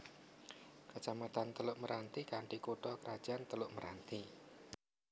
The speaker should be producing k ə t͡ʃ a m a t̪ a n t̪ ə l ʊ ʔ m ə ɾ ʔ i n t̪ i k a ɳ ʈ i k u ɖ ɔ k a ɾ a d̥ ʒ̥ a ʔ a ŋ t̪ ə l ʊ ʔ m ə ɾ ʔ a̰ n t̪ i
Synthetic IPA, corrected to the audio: k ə t͡ʃ a m a t̪ a n t̪ ə l ʊ ʔ m ə ɾ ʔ a n t̪ i k a ɳ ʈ i k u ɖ ɔ k ə ɾ a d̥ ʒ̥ a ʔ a n t̪ ə l ʊ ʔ m ə ɾ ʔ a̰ n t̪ i